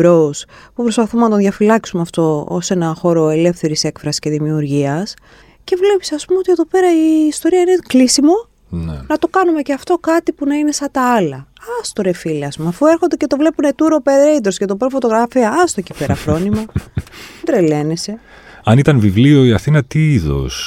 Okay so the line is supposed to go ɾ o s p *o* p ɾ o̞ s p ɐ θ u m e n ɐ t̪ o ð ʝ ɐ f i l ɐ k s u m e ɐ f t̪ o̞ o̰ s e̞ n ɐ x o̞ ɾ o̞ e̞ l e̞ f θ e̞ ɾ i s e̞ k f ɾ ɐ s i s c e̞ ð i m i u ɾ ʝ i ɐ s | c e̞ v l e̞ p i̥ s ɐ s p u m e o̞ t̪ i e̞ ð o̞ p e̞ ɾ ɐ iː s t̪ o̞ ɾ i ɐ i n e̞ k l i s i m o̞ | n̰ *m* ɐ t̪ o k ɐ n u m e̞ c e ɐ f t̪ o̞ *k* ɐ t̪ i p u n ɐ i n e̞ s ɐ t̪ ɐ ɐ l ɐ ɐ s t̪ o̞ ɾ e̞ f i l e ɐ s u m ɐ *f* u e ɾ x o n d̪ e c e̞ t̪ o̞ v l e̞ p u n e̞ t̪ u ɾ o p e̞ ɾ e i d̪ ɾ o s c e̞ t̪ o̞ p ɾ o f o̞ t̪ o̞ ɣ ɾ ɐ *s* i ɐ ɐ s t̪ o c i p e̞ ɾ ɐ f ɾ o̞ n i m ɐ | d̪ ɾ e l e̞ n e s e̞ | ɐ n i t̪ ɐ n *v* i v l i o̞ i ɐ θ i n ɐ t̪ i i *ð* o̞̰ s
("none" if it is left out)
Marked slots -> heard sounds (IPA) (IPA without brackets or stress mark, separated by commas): u, n, k, f, f, v, ð